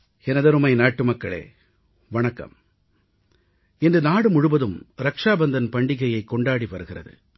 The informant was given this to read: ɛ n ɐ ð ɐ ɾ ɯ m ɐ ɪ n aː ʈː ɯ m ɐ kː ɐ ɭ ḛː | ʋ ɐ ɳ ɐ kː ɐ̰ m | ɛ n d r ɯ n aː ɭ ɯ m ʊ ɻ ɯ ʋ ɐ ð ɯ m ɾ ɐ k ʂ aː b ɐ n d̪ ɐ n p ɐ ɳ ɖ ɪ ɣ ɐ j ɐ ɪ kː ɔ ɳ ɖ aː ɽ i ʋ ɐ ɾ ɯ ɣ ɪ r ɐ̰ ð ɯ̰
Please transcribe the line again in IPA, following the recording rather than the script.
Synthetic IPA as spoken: ɛ n ɐ ð ɐ ɾ ɯ m ɐ ɪ n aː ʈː ɯ m ɐ kː ɐ ɭ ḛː | ʋ ɐ ɳ ɐ kː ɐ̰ m | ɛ n d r ɯ n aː ɽ ɯ m ʊ ɻ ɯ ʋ ɐ ð ɯ m ɾ ɐ k ʂ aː b ɐ n d̪ ɐ n p ɐ ɳ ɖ ɪ ɣ ɐ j ɐ ɪ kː ɔ ɳ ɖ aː ɽ i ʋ ɐ ɾ ɯ ɣ ɪ r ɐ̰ ð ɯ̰